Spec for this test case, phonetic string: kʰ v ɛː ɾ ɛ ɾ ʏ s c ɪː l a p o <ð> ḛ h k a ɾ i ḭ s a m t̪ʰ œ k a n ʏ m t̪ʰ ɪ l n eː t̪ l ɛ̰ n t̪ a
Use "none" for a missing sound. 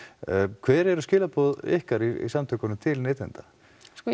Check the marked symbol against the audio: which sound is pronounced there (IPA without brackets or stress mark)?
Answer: ð